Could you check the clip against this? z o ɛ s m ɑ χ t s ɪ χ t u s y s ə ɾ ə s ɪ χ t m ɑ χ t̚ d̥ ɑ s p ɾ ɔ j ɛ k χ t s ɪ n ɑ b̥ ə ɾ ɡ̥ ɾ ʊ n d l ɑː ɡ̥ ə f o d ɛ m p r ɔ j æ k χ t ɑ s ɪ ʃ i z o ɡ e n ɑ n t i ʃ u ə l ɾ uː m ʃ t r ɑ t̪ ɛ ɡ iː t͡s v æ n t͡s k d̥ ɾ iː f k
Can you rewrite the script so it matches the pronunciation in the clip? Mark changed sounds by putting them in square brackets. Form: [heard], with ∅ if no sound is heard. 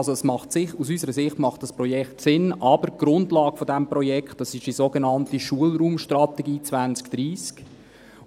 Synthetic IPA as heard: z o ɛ s m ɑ χ t s ɪ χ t u s y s ə ɾ ə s ɪ χ t m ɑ χ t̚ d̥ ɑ s p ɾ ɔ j ɛ k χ t s ɪ n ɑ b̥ ə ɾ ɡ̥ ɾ ʊ n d l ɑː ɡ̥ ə f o d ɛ m p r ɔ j [ɛ] k χ t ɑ s ɪ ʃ i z o ɡ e n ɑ n t i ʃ u ə l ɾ uː m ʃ t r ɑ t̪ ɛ ɡ iː t͡s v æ n t͡s k d̥ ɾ iː [s] k

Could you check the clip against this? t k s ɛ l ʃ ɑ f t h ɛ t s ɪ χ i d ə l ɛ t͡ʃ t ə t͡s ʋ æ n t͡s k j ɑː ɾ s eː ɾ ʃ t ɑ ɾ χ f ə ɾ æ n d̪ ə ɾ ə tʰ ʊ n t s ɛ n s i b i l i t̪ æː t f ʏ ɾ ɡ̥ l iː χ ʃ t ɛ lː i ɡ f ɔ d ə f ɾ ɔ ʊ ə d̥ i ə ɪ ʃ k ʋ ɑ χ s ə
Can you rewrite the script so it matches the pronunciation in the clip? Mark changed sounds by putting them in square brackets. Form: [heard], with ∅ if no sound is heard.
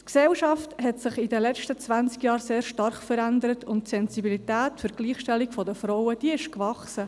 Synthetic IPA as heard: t k s ɛ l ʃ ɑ f t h ɛ t s ɪ χ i d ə l ɛ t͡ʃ t ə t͡s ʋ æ n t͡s k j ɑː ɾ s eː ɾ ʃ t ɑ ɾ χ f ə ɾ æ n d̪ ə ɾ ə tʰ ʊ n t s ɛ n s i b i l i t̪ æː t f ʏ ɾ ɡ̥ l iː χ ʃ t ɛ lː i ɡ f ɔ d ə f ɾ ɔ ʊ ə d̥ i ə ɪ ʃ k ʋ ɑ χ s ə

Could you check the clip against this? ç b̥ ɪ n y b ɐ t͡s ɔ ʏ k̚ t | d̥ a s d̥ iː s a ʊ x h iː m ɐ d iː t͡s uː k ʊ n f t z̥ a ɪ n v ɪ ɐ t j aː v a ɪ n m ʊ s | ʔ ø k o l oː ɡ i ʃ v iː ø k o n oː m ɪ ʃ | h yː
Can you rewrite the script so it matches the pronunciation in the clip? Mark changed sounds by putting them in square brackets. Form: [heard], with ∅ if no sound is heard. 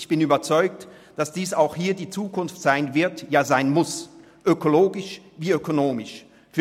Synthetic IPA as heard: ç b̥ ɪ n [yː] b ɐ t͡s ɔ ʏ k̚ t | d̥ a s d̥ iː s a ʊ x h iː [∅] ɐ d iː t͡s uː k ʊ n f t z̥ a ɪ n v ɪ ɐ t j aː [z] a ɪ n m ʊ s | ʔ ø k o l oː ɡ [ɪ] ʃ v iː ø k o n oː m ɪ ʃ | [f] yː

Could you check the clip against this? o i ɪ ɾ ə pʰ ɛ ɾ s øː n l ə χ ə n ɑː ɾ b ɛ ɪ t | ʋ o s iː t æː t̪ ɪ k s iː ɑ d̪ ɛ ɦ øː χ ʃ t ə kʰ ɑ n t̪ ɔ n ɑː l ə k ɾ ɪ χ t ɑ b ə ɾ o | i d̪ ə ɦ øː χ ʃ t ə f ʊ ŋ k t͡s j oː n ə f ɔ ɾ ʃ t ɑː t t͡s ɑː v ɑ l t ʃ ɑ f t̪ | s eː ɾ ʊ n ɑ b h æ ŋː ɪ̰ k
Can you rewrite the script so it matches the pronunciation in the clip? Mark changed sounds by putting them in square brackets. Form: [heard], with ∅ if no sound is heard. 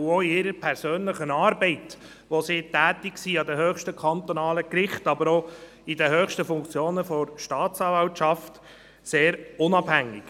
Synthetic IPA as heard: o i ɪ ɾ ə pʰ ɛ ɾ s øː n l ə χ ə n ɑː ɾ b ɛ ɪ t | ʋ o s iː t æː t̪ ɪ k s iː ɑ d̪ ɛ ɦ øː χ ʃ t ə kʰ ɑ n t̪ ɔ n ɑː l ə k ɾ ɪ χ t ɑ b ə ɾ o | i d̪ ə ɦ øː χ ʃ t ə f ʊ ŋ k t͡s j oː n ə f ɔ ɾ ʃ t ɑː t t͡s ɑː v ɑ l t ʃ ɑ f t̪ | s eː ɾ ʊ n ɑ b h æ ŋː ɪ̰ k

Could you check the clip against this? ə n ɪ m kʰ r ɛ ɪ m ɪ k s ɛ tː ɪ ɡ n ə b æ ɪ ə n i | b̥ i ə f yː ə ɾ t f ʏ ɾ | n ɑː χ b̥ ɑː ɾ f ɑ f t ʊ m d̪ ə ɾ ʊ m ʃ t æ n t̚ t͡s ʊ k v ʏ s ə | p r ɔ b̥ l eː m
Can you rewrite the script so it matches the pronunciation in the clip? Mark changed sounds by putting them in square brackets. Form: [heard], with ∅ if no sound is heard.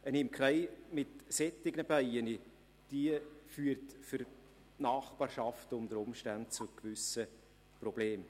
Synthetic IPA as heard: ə n ɪ m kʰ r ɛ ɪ m ɪ [t] s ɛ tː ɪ ɡ n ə b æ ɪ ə n i | [d̥] i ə f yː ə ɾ t f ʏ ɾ | n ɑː χ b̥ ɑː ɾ [ʃ] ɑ f t ʊ m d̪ ə ɾ ʊ m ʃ t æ n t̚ t͡s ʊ k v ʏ s ə | p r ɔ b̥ l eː m

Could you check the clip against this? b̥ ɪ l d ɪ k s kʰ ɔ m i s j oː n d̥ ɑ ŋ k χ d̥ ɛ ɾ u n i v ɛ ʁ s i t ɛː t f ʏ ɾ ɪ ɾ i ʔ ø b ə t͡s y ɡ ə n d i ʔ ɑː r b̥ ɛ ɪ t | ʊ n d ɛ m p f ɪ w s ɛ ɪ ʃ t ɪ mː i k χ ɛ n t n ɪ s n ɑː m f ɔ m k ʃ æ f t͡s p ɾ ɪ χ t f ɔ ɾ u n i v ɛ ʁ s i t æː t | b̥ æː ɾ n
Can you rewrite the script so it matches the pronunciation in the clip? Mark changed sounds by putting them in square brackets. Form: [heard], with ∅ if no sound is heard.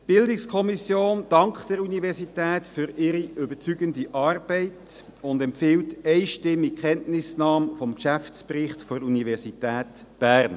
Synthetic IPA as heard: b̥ ɪ l d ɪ k s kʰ ɔ m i s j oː n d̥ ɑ ŋ k χ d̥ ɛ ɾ u n i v ɛ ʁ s i t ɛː t f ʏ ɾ ɪ ɾ i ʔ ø b ə t͡s y ɡ ə n d i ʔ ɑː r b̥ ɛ ɪ t | ʊ n d ɛ m p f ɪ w [t] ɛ ɪ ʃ t ɪ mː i k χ ɛ n t n ɪ s n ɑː m f ɔ m k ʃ æ f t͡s p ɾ ɪ χ t f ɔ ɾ u n i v ɛ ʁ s i t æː t | b̥ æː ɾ n

